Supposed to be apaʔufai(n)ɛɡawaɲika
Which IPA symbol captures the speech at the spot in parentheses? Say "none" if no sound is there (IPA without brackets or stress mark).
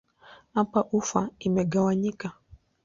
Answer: m